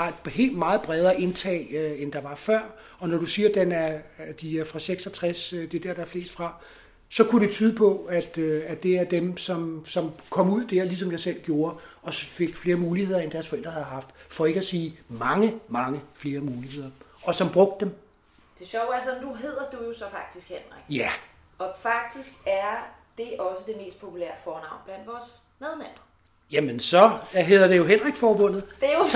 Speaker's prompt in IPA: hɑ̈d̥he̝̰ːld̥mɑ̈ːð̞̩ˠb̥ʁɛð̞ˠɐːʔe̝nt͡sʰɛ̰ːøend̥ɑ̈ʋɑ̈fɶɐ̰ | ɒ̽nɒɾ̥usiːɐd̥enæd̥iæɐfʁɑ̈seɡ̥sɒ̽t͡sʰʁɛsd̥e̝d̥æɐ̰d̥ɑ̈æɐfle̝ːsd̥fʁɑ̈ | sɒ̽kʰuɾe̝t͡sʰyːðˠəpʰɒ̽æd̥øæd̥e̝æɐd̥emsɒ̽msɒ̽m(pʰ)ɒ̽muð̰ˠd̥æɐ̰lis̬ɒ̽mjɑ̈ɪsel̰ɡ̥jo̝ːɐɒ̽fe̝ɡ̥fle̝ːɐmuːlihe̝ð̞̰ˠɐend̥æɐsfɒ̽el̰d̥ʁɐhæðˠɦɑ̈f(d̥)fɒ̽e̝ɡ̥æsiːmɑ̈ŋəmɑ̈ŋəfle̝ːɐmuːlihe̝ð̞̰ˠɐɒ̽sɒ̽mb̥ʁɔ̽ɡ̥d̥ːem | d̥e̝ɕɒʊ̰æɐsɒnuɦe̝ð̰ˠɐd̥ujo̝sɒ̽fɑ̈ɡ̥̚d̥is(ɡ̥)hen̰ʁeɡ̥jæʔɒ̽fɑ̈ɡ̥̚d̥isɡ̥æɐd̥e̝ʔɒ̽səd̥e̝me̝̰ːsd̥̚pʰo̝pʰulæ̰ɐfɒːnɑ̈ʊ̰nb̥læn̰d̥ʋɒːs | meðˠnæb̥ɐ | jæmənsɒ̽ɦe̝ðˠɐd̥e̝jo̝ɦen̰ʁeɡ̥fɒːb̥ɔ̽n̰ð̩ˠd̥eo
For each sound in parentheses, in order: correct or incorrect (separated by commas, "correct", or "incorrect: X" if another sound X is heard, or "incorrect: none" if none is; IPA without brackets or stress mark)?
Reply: incorrect: kʰ, correct, correct